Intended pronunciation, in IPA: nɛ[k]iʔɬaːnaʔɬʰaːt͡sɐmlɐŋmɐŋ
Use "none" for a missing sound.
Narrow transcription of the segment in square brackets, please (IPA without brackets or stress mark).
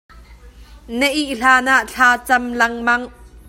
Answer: ʔ